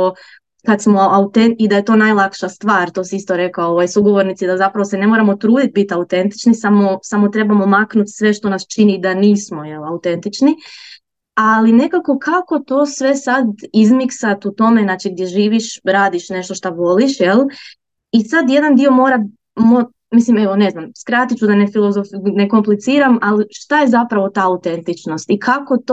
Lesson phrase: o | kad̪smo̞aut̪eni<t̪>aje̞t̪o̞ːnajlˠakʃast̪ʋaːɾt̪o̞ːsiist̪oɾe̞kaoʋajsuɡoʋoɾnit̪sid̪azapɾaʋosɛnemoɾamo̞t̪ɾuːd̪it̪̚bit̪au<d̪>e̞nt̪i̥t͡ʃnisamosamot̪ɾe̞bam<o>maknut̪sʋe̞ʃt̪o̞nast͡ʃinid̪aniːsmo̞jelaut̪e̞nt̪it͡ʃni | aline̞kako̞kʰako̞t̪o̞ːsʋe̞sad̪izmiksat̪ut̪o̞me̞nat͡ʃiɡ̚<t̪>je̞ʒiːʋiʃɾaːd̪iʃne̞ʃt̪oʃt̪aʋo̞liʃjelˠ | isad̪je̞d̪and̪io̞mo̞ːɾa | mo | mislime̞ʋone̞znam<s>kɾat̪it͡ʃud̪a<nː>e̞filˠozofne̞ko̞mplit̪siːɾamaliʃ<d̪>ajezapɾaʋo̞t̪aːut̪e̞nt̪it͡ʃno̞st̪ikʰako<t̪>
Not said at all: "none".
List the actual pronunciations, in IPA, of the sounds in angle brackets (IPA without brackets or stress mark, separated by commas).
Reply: d̪, t̪, o, d̪, s, n, t̪, t̪